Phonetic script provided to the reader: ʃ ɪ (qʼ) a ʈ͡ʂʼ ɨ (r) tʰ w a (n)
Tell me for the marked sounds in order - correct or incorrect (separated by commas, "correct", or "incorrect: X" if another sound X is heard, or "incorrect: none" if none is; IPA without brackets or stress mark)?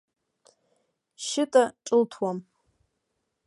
incorrect: tʼ, incorrect: l, incorrect: m